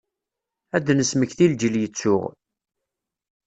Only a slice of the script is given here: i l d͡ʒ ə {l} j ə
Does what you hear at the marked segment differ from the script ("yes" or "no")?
no